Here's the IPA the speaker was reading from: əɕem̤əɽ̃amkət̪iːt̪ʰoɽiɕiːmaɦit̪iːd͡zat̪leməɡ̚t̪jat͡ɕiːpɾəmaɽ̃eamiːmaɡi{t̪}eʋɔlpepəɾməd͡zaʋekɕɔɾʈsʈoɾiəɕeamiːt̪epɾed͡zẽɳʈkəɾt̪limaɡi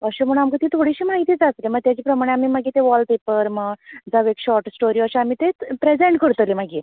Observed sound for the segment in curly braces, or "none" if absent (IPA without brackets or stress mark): t̪